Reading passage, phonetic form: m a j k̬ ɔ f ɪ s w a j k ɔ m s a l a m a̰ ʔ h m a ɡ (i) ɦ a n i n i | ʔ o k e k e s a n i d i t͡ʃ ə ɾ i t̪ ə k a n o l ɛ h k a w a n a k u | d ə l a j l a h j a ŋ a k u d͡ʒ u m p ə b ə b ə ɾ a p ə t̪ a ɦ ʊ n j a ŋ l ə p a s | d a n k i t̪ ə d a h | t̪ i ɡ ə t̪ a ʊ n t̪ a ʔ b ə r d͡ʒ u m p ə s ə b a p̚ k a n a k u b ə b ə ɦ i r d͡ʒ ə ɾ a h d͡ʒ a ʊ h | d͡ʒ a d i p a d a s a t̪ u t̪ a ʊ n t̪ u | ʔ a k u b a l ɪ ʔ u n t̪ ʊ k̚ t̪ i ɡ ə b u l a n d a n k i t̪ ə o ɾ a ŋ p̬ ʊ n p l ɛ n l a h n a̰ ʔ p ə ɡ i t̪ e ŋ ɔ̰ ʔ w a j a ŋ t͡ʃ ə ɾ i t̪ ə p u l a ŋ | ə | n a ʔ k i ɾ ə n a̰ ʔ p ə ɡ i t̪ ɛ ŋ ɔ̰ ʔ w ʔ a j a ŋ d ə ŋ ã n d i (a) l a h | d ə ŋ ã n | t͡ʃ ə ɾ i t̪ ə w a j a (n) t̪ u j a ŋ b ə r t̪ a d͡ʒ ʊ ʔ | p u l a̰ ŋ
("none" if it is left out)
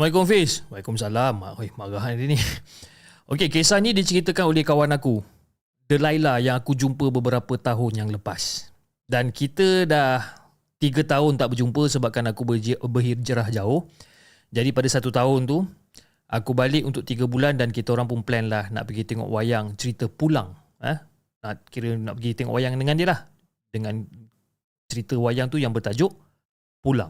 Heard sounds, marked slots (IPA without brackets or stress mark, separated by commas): a, ə, ŋ